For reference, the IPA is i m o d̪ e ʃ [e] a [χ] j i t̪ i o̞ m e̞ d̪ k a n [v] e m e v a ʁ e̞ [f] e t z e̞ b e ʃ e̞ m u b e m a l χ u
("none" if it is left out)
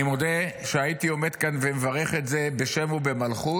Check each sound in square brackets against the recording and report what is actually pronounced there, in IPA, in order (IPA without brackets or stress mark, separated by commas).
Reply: e, none, v, χ